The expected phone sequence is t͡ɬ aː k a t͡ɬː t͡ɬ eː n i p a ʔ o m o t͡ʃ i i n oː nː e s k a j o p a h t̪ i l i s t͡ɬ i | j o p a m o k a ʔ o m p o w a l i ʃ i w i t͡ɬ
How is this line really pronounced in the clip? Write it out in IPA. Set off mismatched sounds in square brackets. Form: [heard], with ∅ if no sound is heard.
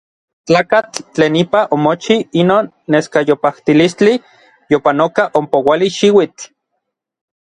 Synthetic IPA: t͡ɬ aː k a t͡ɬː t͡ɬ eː n i p a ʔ o m o t͡ʃ i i n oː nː e s k a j o p a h t̪ i l i s t͡ɬ i | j o p a [n] o k a ʔ o m p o w a l i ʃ i w i t͡ɬ